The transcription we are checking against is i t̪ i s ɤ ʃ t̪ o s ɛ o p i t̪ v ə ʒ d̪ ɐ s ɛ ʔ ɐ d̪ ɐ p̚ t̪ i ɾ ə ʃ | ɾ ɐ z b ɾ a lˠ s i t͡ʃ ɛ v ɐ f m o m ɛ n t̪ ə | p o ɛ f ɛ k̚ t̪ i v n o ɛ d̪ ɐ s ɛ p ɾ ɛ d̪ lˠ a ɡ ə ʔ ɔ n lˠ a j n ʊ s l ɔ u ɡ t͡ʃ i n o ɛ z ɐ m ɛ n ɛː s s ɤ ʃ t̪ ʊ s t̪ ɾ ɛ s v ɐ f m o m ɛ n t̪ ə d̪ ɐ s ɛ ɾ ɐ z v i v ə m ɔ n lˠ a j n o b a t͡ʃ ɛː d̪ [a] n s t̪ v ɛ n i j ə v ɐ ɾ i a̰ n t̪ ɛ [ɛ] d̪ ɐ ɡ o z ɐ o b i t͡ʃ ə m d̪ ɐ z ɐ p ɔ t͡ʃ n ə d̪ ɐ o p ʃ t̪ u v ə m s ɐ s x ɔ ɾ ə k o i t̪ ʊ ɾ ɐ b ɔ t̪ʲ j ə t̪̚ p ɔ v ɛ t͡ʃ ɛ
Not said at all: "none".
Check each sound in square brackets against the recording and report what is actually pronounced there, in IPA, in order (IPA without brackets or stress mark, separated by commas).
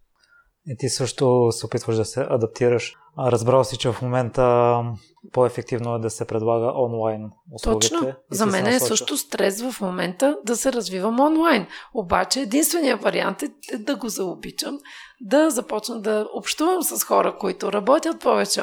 i, ɛ